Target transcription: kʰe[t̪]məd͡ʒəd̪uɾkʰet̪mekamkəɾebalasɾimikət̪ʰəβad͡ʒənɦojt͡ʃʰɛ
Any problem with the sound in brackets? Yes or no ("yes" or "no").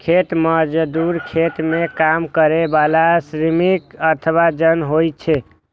no